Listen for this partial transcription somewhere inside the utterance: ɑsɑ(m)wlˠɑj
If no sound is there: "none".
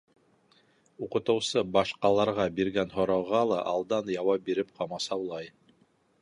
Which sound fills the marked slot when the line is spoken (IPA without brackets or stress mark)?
none